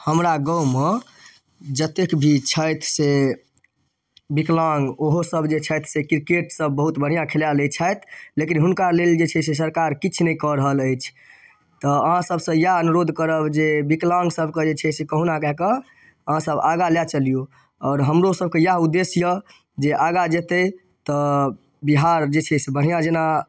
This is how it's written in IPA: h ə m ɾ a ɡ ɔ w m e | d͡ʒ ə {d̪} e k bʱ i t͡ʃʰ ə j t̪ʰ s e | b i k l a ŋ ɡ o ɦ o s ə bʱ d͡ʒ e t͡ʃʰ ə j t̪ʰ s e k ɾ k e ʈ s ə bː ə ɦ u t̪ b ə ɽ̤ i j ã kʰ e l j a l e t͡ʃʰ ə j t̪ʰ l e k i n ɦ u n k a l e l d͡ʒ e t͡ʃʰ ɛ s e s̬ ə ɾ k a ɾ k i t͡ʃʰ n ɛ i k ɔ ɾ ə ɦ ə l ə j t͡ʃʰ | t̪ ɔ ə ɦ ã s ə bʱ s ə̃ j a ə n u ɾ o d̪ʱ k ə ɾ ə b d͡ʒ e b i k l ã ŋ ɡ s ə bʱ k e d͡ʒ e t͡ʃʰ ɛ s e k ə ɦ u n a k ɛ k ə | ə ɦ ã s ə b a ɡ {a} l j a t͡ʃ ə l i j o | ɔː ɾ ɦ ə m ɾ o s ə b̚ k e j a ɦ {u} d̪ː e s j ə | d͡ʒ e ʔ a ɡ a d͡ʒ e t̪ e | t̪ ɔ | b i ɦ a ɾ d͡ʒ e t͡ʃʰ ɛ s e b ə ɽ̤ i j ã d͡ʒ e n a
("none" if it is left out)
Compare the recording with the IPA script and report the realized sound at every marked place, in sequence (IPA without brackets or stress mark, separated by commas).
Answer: t̪, a, u